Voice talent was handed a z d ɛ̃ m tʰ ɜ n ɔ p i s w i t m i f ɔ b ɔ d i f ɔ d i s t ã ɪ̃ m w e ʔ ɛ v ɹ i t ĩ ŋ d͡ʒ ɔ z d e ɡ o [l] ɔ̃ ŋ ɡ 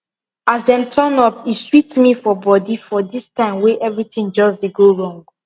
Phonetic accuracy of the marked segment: incorrect: ɹ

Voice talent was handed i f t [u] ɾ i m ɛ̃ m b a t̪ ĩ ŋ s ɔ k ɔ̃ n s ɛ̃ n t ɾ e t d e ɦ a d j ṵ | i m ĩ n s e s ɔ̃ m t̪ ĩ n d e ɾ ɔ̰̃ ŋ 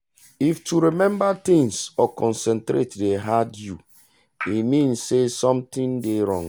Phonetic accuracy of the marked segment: correct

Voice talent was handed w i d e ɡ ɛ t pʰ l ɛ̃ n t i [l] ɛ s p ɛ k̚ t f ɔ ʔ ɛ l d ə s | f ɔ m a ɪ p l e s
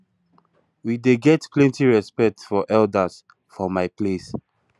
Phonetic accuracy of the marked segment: incorrect: ɹ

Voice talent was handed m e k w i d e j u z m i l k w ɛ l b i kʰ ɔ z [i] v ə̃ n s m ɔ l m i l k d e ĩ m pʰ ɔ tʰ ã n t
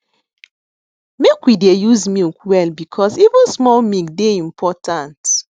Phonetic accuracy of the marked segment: correct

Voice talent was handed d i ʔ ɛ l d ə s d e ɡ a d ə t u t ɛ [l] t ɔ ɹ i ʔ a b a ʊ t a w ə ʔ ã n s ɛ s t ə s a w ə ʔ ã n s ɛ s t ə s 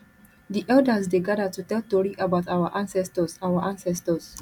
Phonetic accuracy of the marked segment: correct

